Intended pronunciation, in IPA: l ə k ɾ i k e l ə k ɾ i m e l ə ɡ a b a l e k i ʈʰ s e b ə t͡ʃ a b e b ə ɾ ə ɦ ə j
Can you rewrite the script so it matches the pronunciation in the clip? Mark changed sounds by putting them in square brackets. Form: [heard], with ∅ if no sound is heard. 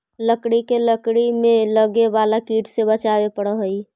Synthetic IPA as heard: l ə k [ɽ] i k e l ə k [ɽ] i m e l ə ɡ [e] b a l [a] k i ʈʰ s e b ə t͡ʃ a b e [p] ə [ɽ] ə ɦ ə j